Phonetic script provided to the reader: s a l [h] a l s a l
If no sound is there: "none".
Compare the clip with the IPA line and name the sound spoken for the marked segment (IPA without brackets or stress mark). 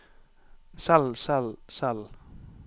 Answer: s